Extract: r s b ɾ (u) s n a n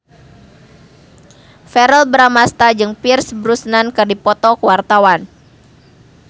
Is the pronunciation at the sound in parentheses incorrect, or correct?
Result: correct